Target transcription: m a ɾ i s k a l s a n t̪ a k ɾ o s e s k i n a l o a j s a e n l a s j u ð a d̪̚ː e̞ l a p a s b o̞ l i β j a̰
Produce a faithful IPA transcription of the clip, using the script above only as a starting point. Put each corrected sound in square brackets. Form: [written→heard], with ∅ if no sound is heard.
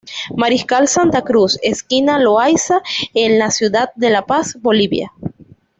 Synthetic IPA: m a ɾ i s k a l s a n t̪ a k ɾ [o→u] s e s k i n a l o a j s a e n l a s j u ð a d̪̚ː e̞ l a p a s b o̞ l i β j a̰